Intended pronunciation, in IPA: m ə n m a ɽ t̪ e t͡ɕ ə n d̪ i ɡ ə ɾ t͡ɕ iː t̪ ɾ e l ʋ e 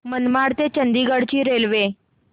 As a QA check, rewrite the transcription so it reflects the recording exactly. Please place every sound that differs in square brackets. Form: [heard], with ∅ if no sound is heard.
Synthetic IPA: m ə n m a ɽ t̪ e t͡ɕ ə n d̪ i ɡ ə [ɽ] t͡ɕ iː [∅] ɾ e l ʋ e